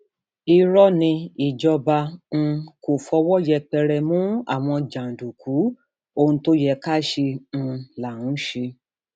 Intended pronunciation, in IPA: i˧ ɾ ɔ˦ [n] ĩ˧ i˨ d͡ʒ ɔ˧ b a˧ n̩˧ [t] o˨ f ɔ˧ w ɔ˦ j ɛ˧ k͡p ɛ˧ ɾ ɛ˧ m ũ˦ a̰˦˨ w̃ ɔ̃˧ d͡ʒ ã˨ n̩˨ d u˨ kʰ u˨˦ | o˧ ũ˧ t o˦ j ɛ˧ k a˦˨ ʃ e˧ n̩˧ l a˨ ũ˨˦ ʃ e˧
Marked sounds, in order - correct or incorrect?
correct, incorrect: k

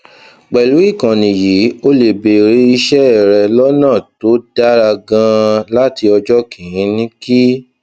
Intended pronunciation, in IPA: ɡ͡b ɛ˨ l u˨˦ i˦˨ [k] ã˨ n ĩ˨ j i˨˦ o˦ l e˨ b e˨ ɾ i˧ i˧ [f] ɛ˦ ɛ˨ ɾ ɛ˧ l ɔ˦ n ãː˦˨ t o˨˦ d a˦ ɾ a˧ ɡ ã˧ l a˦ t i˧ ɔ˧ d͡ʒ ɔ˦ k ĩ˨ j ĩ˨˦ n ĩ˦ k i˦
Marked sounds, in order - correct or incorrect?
correct, incorrect: ʃ

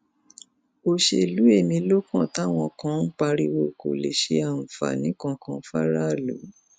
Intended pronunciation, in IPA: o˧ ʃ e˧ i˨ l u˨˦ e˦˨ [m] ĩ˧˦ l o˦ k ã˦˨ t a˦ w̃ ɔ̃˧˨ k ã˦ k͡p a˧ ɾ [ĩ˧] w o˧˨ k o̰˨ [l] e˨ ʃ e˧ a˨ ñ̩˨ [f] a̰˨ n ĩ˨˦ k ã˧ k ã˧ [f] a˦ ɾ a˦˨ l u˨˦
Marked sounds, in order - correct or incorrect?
correct, incorrect: i˧, correct, correct, correct

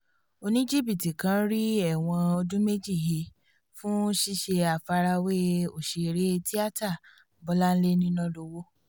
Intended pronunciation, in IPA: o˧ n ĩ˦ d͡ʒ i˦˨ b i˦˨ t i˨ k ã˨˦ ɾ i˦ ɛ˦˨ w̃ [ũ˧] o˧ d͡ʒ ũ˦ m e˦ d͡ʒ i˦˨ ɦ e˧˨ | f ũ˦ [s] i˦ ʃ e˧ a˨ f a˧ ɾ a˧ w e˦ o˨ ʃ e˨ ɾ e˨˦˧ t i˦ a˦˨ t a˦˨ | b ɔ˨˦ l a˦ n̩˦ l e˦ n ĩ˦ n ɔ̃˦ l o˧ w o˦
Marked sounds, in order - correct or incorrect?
incorrect: ɔ̃˧, incorrect: ʃ

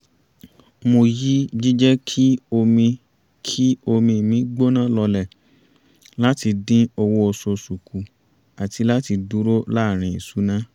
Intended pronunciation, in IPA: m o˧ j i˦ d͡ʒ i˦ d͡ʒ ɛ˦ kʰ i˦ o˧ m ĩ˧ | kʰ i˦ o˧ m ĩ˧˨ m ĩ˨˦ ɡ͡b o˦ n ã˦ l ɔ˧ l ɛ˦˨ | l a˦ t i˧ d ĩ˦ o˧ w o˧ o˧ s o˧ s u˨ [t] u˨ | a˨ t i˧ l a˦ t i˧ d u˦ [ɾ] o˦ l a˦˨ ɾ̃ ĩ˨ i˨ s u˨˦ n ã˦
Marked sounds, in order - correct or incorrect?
incorrect: k, correct

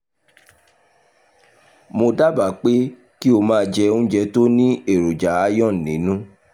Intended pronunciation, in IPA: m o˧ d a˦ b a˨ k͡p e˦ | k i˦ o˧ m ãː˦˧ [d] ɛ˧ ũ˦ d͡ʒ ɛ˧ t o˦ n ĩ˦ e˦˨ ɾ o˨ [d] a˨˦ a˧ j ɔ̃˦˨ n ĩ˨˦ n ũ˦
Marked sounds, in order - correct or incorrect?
incorrect: d͡ʒ, incorrect: d͡ʒ

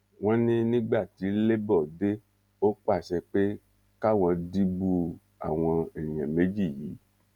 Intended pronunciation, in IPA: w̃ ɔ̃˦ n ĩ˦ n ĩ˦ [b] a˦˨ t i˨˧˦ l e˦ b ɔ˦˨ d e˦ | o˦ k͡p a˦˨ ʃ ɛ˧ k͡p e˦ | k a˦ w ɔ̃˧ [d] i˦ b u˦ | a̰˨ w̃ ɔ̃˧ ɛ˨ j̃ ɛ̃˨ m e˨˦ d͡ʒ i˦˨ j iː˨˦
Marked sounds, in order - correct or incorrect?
incorrect: ɡ͡b, correct

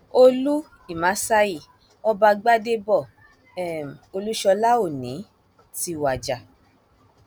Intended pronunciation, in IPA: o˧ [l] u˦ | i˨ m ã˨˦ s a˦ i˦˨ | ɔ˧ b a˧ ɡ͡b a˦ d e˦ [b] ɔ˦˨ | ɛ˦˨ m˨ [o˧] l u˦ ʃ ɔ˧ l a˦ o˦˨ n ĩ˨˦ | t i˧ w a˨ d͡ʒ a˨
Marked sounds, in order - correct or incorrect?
correct, correct, correct

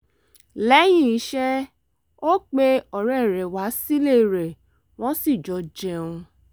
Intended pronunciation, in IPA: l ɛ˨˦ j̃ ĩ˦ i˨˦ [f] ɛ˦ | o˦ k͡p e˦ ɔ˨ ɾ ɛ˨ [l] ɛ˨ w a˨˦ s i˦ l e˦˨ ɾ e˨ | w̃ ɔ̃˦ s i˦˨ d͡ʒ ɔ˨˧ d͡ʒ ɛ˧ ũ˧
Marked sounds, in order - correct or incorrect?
incorrect: ʃ, incorrect: ɾ

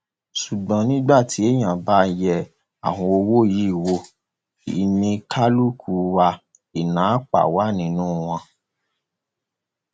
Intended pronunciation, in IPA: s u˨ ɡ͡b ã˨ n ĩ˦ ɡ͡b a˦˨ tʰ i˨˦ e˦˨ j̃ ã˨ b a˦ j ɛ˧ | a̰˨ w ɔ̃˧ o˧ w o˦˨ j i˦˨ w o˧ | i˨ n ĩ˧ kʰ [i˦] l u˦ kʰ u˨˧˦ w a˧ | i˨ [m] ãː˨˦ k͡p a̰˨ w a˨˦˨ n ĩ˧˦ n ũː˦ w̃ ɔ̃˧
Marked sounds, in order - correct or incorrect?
incorrect: a˦, incorrect: n

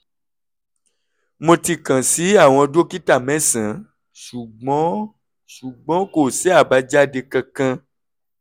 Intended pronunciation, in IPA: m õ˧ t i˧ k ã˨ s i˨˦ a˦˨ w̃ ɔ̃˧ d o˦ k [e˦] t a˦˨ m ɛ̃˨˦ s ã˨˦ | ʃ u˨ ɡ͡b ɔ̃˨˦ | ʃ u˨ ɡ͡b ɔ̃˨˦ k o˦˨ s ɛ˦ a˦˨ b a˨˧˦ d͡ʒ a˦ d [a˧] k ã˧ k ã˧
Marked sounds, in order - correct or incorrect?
incorrect: i˦, incorrect: e˧

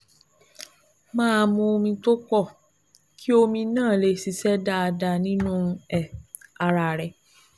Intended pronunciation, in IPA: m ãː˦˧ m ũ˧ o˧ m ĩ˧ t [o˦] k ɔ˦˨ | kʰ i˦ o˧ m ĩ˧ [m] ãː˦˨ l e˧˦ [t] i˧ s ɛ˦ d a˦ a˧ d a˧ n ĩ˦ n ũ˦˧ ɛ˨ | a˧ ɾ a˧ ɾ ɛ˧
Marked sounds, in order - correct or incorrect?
correct, incorrect: n, incorrect: s

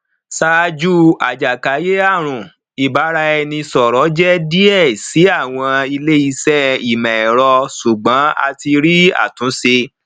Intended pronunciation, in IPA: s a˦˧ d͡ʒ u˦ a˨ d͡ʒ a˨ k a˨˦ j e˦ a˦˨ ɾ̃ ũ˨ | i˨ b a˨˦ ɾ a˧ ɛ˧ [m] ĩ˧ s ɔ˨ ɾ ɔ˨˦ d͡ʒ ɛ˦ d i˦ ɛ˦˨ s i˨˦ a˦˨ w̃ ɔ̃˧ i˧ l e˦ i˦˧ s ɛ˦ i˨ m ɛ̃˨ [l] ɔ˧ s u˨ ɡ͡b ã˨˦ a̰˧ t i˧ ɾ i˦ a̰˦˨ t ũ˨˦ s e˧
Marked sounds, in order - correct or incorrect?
incorrect: n, incorrect: ɾ

